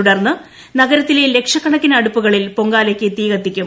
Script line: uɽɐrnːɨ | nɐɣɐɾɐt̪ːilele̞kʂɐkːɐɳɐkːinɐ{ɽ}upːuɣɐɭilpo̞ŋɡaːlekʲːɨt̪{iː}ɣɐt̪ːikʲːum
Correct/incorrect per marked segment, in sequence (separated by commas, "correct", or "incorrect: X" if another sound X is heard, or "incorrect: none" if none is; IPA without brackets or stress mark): correct, correct